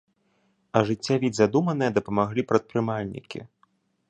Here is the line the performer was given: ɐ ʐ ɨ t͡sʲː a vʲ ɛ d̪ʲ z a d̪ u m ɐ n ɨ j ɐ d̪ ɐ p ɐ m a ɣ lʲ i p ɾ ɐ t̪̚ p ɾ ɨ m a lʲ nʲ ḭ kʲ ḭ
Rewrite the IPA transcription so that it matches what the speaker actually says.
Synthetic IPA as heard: ɐ ʐ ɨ t͡sʲː a vʲ i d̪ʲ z a d̪ u m ɐ n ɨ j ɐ d̪ ɐ p ɐ m a ɣ lʲ i p ɾ ɐ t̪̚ p ɾ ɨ m a lʲ nʲ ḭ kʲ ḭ